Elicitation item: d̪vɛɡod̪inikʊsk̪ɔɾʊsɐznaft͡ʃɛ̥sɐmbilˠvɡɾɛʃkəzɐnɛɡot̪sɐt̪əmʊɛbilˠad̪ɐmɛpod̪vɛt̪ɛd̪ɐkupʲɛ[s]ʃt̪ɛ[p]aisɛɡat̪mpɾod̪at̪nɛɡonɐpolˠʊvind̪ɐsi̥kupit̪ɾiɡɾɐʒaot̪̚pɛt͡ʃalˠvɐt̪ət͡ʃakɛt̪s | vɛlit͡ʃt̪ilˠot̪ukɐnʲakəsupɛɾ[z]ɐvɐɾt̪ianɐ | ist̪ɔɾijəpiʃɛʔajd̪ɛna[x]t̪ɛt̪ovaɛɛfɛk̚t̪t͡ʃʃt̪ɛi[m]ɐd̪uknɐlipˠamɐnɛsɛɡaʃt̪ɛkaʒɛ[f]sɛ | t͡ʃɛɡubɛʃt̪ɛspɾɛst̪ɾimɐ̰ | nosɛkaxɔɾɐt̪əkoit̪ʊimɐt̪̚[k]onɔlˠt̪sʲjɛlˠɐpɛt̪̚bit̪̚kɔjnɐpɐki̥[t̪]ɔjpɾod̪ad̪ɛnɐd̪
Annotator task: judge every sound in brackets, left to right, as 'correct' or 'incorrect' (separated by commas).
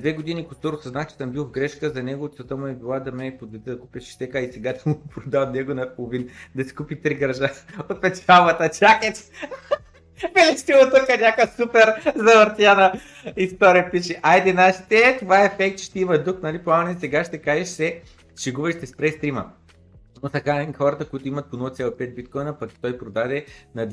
incorrect, incorrect, correct, incorrect, correct, incorrect, incorrect, correct